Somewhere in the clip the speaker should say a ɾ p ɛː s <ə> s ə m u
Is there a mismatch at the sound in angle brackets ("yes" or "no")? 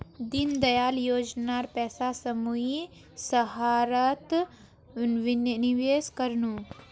yes